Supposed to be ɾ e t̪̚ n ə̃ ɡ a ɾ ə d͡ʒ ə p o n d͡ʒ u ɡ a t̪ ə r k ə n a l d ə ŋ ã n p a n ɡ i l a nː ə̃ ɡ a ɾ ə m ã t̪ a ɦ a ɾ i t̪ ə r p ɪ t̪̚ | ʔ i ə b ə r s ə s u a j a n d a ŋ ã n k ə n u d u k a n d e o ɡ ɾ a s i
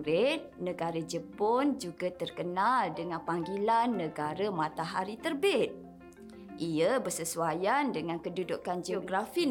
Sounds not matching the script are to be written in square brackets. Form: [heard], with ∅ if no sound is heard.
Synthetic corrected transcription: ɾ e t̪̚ n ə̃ ɡ a ɾ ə d͡ʒ ə p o n d͡ʒ u ɡ a t̪ ə r k ə n a l d ə ŋ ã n p a [ŋ] ɡ i l a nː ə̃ ɡ a ɾ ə m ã t̪ a ɦ a ɾ i t̪ ə r [b] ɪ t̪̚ | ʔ i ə b ə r s ə s u a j a n d [ə] ŋ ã n k ə [d] u d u k a n [d͡ʒ] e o ɡ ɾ a [f] i